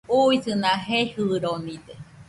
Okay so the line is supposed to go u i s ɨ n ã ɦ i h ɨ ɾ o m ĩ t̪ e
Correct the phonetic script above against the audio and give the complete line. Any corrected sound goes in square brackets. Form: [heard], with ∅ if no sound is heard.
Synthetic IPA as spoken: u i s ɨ n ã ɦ [e] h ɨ ɾ o [n] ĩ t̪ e